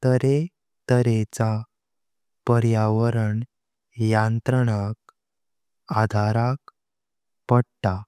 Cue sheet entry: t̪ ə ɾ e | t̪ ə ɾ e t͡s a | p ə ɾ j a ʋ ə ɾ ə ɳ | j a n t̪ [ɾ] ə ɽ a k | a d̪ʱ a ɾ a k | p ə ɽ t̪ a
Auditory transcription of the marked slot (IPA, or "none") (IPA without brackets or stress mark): ɾ